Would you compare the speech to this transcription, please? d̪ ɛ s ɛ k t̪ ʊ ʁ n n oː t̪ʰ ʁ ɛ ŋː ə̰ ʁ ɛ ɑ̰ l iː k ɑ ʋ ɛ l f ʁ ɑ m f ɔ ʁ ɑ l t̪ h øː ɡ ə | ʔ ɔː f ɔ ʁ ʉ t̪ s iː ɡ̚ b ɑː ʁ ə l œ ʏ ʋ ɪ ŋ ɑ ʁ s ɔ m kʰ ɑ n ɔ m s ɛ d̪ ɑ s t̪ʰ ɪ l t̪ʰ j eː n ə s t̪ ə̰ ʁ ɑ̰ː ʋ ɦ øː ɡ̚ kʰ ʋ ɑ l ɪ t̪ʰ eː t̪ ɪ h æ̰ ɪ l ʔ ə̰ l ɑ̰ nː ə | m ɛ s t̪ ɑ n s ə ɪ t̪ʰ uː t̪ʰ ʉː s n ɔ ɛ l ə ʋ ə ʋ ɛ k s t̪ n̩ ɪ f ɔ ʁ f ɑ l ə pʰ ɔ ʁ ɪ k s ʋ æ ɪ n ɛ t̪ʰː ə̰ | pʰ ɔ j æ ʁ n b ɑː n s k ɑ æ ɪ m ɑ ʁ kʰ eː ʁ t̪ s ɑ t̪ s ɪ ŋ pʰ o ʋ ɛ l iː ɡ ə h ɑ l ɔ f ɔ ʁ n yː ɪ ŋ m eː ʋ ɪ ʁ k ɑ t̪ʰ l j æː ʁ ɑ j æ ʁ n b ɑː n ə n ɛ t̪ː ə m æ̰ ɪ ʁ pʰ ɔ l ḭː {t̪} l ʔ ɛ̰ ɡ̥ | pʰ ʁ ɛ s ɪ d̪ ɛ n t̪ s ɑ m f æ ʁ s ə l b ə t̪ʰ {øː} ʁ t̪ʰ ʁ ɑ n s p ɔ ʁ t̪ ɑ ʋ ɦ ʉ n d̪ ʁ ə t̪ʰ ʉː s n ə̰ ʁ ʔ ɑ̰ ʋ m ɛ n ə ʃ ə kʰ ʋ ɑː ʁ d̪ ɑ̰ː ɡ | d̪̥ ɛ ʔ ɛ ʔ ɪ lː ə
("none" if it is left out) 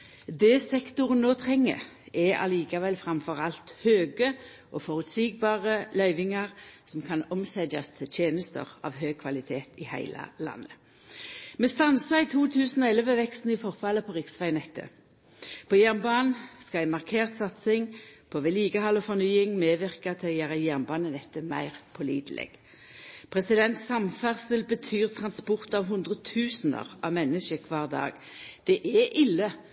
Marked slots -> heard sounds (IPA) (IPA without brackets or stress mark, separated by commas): d̪, yː